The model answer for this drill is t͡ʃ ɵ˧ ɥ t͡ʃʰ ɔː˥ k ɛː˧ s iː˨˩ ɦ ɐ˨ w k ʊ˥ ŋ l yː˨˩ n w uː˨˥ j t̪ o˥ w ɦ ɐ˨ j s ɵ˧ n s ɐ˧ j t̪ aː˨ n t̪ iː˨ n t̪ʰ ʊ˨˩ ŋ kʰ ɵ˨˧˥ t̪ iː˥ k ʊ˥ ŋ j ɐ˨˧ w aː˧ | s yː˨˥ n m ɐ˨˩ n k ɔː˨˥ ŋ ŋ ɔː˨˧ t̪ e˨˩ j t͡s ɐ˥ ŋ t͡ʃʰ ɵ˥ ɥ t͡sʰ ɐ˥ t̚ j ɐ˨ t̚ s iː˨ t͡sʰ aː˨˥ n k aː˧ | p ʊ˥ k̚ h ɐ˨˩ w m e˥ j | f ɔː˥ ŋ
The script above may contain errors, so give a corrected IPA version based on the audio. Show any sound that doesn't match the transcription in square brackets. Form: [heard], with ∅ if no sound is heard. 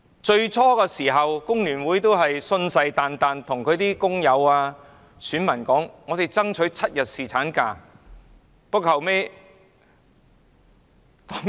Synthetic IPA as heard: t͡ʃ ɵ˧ ɥ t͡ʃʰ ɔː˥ k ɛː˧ s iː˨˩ ɦ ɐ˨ w k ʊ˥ ŋ l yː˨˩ n w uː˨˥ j t̪ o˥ w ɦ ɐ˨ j s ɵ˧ n s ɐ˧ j t̪ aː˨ n t̪ [aː˨] n t̪ʰ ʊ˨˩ ŋ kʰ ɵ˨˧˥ t̪ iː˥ k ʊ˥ ŋ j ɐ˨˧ w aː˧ | s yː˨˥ n m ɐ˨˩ n k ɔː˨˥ ŋ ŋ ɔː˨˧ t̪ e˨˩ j t͡s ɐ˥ ŋ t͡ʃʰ [ɵ˨˥] ɥ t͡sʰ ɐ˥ t̚ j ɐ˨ t̚ s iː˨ t͡sʰ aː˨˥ n k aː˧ | p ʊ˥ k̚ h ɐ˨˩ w m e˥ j | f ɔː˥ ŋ